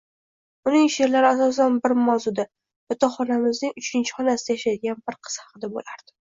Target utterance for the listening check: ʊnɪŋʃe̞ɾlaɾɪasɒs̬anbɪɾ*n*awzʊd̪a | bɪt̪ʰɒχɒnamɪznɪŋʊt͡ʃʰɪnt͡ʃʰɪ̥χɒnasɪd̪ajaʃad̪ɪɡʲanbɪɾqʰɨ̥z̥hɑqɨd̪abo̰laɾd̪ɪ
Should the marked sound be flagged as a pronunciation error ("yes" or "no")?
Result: yes